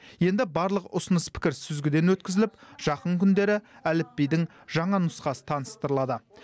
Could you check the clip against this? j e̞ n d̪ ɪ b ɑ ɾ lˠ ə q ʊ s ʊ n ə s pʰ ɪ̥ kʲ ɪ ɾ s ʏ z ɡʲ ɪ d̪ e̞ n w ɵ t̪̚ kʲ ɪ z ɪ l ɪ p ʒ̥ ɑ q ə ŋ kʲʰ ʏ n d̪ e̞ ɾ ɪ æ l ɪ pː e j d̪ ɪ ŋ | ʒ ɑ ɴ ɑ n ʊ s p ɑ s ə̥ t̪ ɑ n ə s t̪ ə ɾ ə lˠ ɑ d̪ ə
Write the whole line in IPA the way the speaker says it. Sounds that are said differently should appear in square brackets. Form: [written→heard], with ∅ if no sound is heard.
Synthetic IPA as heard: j e̞ n d̪ ɪ b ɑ ɾ lˠ ə q ʊ s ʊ n ə s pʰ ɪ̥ kʲ ɪ ɾ s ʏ z ɡʲ ɪ d̪ e̞ n w ɵ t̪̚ kʲ ɪ z ɪ l ɪ p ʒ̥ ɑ q ə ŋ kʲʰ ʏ n d̪ e̞ ɾ ɪ æ l ɪ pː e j d̪ ɪ ŋ | ʒ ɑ ɴ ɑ n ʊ s [p→q] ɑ s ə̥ [t̪→t̪ʰ] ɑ n ə s t̪ ə ɾ ə lˠ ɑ d̪ ə